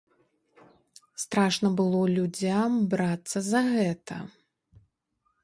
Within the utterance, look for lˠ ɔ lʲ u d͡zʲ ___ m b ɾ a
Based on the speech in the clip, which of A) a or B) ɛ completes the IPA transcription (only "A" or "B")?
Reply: A